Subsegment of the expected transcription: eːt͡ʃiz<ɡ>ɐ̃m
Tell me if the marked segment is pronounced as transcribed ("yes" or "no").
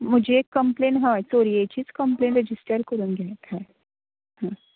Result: no